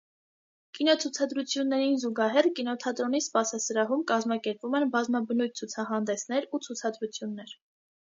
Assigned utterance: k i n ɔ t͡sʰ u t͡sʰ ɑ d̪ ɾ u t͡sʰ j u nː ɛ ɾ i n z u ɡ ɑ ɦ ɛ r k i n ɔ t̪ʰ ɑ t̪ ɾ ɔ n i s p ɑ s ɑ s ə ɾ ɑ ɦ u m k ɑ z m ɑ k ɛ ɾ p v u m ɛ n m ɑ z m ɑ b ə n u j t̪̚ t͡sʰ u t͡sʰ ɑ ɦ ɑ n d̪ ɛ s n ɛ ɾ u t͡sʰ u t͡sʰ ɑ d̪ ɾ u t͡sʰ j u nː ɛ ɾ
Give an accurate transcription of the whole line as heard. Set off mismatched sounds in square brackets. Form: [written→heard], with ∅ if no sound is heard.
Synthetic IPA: k i n ɔ t͡sʰ u t͡sʰ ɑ d̪ ɾ u t͡sʰ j u nː ɛ ɾ i n z u ɡ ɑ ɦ ɛ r k i n ɔ t̪ʰ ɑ t̪ ɾ ɔ n i s p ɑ s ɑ s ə ɾ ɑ ɦ u m k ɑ z m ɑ k ɛ ɾ p v u m ɛ n [m→b] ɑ z m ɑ b ə n u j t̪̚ t͡sʰ u t͡sʰ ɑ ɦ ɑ n d̪ ɛ s n ɛ ɾ u t͡sʰ u t͡sʰ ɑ d̪ ɾ u t͡sʰ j u nː ɛ ɾ